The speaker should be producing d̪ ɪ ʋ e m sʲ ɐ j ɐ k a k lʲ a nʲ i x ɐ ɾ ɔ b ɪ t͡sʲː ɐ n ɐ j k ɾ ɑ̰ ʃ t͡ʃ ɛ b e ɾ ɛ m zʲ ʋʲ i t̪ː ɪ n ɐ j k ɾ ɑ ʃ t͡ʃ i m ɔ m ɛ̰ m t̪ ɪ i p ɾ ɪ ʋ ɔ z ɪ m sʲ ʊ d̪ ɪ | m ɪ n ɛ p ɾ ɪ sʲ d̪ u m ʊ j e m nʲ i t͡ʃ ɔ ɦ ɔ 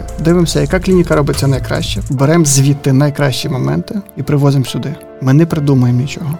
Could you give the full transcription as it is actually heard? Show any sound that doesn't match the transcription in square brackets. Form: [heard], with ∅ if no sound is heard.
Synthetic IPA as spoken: d̪ ɪ ʋ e m sʲ ɐ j ɐ k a k lʲ [i] nʲ i [k] ɐ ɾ ɔ b ɪ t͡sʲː ɐ n ɐ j k ɾ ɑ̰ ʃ t͡ʃ ɛ b e ɾ ɛ m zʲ ʋʲ i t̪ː ɪ n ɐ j k ɾ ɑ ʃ t͡ʃ i m ɔ m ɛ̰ [n] t̪ ɪ i p ɾ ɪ ʋ ɔ z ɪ m sʲ ʊ d̪ ɪ | m ɪ n ɛ p ɾ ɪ [∅] d̪ u m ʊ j e m nʲ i t͡ʃ ɔ ɦ ɔ